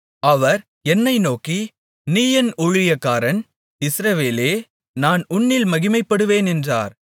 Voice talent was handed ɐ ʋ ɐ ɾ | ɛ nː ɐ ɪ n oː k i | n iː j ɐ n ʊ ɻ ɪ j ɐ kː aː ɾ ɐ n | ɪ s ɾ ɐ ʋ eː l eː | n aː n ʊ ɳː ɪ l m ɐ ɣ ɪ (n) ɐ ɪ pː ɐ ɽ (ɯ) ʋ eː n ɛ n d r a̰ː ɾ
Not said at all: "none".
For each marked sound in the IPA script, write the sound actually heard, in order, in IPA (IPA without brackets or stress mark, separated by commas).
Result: m, ɯ